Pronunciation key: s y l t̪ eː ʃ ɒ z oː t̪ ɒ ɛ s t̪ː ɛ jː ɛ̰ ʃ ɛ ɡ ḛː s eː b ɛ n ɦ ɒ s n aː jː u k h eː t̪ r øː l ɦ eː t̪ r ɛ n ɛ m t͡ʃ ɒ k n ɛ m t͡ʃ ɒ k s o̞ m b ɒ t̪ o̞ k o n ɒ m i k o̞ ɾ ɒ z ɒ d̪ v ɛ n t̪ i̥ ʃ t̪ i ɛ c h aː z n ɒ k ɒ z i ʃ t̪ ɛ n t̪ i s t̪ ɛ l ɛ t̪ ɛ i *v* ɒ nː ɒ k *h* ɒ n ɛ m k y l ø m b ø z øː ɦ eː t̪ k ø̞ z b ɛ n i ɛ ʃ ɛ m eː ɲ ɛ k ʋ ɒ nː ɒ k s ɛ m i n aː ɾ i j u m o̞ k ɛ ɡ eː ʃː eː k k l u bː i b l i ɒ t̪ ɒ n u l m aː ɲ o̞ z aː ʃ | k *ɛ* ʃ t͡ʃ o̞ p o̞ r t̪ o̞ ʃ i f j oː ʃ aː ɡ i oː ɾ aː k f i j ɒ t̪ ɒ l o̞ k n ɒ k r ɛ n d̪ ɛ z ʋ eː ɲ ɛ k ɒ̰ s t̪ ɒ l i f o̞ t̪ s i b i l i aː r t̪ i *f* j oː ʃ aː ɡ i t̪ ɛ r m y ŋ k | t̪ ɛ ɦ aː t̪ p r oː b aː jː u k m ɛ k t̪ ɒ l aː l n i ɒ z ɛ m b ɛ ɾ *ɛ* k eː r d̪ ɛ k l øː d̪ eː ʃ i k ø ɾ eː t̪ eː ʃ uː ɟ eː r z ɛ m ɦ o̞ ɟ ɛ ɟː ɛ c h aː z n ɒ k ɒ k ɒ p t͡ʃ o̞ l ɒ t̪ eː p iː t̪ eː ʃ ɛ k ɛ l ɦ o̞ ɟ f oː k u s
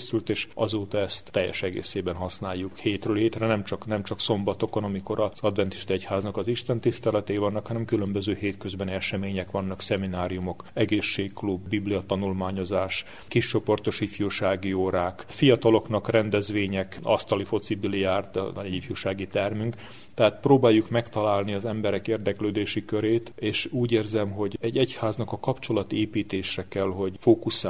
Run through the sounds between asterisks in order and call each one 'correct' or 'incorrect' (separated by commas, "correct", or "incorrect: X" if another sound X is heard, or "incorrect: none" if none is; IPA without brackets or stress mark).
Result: correct, correct, incorrect: i, correct, correct